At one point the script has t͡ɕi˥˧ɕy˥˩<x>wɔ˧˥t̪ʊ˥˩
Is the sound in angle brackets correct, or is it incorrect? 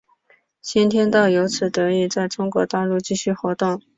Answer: correct